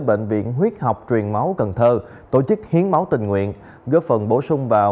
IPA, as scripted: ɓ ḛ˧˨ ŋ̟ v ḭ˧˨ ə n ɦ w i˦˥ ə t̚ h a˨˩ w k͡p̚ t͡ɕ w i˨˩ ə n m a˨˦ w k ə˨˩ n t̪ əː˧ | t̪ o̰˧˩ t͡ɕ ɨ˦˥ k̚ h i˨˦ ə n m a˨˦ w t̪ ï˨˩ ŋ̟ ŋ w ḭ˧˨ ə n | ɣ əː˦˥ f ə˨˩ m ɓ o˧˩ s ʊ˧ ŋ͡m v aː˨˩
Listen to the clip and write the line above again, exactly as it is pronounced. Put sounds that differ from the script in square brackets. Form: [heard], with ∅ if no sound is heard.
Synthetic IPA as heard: ɓ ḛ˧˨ ŋ̟ v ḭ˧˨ ə n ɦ w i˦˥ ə t̚ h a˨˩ w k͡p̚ t͡ɕ w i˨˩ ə n m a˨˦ w k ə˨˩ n [t̪ʰ] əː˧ | t̪ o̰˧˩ t͡ɕ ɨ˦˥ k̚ h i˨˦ ə n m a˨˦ w t̪ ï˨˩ ŋ̟ ŋ w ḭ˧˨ ə n | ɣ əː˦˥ f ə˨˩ [n] ɓ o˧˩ s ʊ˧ ŋ͡m v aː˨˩

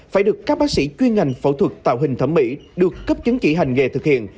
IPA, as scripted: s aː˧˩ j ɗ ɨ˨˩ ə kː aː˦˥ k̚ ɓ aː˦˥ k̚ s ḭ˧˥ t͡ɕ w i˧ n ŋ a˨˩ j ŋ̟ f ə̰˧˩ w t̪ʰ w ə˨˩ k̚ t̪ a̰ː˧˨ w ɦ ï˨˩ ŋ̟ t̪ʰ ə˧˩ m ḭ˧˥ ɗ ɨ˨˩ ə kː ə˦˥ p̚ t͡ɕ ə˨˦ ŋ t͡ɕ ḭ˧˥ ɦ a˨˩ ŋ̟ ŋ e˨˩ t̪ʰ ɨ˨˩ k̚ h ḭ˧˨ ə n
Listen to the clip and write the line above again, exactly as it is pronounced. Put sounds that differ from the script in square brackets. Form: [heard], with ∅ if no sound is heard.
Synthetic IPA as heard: [f] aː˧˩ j ɗ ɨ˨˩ ə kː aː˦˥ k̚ ɓ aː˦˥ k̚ s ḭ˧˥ t͡ɕ w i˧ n ŋ a˨˩ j ŋ̟ f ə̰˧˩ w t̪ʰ w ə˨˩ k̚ t̪ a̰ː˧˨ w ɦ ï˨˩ ŋ̟ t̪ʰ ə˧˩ m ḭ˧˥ ɗ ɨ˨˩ ə kː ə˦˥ p̚ t͡ɕ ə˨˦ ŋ t͡ɕ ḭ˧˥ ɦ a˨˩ ŋ̟ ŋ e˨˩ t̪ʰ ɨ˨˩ k̚ h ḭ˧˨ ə n

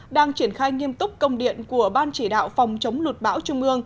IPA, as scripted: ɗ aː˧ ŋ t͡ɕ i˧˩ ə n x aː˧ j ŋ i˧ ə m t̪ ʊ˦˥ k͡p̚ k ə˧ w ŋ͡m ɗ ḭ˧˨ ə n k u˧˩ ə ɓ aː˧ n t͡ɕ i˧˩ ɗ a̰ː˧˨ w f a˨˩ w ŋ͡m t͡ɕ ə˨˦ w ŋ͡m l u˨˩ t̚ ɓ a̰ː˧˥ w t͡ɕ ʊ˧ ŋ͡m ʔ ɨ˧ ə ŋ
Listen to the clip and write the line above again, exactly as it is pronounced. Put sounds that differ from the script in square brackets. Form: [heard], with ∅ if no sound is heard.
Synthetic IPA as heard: ɗ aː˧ ŋ t͡ɕ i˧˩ ə n x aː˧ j ŋ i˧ ə m t̪ ʊ˦˥ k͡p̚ k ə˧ w ŋ͡m ɗ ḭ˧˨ ə n k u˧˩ ə ɓ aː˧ n t͡ɕ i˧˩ ɗ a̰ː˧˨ w f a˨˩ w ŋ͡m t͡ɕ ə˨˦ w ŋ͡m l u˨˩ t̚ ɓ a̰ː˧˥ w t͡ɕ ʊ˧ ŋ͡m ʔ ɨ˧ ə ŋ

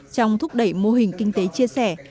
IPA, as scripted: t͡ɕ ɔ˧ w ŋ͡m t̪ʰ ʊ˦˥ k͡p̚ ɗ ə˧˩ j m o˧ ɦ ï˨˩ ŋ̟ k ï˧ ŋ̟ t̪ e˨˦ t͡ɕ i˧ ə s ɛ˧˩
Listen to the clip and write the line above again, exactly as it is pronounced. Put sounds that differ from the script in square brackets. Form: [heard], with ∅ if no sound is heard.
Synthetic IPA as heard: t͡ɕ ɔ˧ w ŋ͡m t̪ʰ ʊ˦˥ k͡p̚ ɗ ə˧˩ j m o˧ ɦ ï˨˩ ŋ̟ k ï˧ ŋ̟ t̪ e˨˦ t͡ɕ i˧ ə s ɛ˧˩

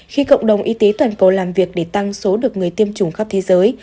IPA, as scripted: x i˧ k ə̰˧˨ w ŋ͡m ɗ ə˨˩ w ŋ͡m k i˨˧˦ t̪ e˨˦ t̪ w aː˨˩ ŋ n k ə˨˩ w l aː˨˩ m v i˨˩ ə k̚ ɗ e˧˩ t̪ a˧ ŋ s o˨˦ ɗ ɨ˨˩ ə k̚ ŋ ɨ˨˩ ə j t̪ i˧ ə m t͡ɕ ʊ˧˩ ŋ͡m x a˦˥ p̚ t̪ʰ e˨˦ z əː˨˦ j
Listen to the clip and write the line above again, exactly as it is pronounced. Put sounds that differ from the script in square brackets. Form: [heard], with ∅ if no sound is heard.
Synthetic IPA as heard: x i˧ k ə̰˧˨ w ŋ͡m ɗ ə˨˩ w ŋ͡m [ʔ] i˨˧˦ t̪ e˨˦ t̪ w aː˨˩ [∅] n k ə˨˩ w l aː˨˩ m v i˨˩ ə k̚ ɗ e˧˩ t̪ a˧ ŋ s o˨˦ ɗ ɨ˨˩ ə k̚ ŋ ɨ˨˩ ə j t̪ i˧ ə m t͡ɕ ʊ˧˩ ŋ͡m x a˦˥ p̚ t̪ʰ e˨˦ z əː˨˦ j

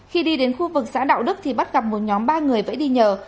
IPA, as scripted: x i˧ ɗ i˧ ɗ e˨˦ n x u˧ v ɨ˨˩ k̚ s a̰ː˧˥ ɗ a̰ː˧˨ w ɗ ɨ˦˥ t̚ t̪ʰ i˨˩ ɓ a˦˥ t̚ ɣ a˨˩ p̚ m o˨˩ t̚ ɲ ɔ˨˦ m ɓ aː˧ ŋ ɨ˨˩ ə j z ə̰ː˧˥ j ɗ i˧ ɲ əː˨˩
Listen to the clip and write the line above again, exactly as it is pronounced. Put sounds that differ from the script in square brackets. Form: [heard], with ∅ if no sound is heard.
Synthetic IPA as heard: x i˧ ɗ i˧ ɗ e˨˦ n x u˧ v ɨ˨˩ k̚ s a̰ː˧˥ ɗ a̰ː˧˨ w ɗ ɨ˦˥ [k̚] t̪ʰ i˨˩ ɓ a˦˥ t̚ ɣ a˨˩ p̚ m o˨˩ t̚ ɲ ɔ˨˦ m ɓ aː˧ ŋ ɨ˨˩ ə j [v] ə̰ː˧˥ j ɗ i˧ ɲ əː˨˩

